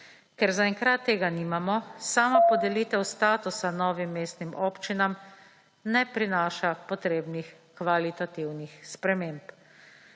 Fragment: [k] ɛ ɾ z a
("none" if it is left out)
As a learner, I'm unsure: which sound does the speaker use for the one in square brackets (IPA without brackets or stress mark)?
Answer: k